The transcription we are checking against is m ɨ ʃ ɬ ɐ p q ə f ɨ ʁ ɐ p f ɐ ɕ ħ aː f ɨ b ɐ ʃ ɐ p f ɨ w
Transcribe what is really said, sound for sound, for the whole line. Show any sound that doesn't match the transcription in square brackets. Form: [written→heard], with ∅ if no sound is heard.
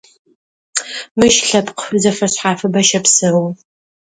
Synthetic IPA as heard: m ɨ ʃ ɬ ɐ p q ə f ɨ [ʁ→z] ɐ [p→∅] f ɐ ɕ ħ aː f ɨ b ɐ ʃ ɐ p [f→s] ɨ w

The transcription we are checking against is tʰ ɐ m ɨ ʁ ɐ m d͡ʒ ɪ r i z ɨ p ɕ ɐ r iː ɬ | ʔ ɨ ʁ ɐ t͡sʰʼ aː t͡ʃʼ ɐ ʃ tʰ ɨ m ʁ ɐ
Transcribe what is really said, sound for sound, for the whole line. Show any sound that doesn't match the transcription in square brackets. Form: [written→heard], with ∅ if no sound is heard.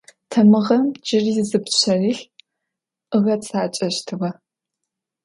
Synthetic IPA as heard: tʰ ɐ m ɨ ʁ ɐ m d͡ʒ ɪ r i z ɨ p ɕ ɐ r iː ɬ | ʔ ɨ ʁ ɐ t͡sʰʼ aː t͡ʃʼ ɐ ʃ tʰ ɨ [m→∅] ʁ ɐ

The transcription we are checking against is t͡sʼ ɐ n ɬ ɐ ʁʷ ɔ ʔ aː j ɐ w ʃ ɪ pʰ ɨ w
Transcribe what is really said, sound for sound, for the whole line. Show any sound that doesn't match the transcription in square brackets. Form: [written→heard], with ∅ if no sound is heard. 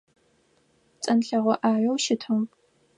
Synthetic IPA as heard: t͡sʼ ɐ n ɬ ɐ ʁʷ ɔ ʔ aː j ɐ w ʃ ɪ [pʰ→tʰ] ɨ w

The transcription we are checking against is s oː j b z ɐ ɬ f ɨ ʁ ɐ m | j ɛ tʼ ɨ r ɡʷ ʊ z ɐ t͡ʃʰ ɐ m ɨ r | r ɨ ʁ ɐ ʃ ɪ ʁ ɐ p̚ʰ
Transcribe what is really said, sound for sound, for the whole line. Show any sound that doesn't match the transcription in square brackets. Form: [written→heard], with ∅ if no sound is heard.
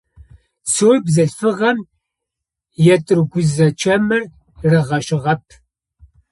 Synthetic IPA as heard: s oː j b z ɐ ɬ f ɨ ʁ ɐ m | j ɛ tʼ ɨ r ɡʷ ʊ z ɐ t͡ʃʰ ɐ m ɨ r | r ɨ ʁ ɐ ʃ ɪ ʁ ɐ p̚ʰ

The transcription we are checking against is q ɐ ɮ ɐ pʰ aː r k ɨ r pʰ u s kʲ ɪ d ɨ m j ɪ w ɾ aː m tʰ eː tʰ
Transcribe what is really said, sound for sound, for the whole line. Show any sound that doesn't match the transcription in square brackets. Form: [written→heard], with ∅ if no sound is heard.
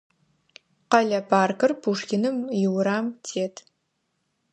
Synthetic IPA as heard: q ɐ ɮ ɐ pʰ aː r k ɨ r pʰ u [s→ʂ] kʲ ɪ [d→n] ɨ m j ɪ w ɾ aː m tʰ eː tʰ

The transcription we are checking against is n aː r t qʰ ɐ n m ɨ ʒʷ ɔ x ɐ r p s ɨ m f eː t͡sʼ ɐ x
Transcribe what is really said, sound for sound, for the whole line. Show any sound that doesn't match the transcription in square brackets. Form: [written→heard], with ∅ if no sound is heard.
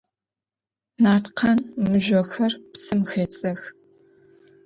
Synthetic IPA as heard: n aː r t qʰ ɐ n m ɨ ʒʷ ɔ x ɐ r p s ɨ m [f→x] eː t͡sʼ ɐ x

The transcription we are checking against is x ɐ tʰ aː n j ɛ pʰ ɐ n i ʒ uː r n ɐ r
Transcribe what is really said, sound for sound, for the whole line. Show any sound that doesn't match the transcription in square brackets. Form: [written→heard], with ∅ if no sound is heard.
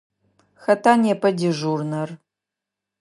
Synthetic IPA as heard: x ɐ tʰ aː n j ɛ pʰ ɐ [n→d] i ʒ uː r n ɐ r

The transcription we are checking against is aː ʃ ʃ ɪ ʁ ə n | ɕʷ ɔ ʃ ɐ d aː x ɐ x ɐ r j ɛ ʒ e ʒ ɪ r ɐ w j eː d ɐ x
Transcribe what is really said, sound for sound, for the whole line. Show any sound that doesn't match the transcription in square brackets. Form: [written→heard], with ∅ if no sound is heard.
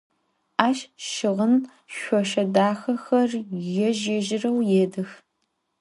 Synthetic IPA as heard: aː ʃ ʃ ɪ ʁ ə n | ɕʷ ɔ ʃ ɐ d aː x ɐ x ɐ r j ɛ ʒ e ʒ ɪ r ɐ w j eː d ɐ x

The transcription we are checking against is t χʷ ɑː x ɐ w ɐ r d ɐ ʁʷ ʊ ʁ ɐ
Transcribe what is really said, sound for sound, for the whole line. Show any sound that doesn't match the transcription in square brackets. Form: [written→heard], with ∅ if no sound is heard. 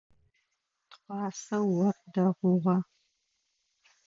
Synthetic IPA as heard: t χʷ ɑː [x→s] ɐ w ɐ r d ɐ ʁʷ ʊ ʁ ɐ

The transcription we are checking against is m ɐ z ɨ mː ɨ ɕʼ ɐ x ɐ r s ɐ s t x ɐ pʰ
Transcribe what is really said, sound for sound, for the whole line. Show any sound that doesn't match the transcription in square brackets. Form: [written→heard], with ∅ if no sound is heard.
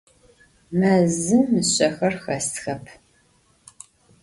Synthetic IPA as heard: m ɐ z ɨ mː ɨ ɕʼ ɐ x ɐ r [s→x] ɐ s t x ɐ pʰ

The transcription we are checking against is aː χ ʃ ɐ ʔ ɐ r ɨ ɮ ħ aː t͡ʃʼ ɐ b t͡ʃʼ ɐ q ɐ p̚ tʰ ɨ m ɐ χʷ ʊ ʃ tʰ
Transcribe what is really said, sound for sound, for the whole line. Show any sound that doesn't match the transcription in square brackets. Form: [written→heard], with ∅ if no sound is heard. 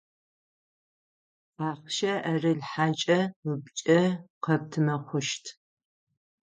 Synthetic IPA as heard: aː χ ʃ ɐ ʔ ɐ r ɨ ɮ ħ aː t͡ʃʼ ɐ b t͡ʃʼ ɐ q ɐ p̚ tʰ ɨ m ɐ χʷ ʊ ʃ tʰ

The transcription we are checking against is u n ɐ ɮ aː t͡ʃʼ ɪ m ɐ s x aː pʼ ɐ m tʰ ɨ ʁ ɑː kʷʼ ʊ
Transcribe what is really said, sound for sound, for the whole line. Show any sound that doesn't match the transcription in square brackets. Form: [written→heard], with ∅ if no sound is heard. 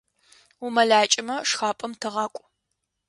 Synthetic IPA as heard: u [n→m] ɐ ɮ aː t͡ʃʼ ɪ m ɐ [s→ʂ] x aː pʼ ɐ m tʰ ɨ ʁ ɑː kʷʼ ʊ

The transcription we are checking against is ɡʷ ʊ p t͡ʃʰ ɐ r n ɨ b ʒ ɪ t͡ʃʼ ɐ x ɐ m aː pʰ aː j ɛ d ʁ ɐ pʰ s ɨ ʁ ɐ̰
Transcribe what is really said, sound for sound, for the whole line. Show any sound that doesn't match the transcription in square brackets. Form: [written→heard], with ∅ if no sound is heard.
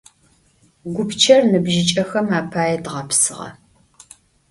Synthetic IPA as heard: ɡʷ ʊ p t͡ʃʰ ɐ r n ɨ b ʒ ɪ t͡ʃʼ ɐ x ɐ m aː pʰ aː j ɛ d ʁ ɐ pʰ s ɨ ʁ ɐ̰

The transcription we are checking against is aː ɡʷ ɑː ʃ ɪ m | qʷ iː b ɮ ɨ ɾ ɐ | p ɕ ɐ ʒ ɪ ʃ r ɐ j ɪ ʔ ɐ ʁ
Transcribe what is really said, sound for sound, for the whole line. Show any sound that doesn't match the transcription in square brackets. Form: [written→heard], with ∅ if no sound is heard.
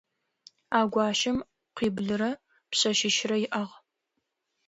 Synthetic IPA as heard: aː ɡʷ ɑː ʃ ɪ m | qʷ iː b ɮ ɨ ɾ ɐ | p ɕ ɐ [ʒ→ʃ] ɪ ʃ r ɐ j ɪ ʔ ɐ ʁ

